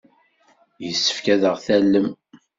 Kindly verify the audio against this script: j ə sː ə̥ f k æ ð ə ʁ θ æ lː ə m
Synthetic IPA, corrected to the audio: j ə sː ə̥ f k æ ð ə ʁ θ æ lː ə m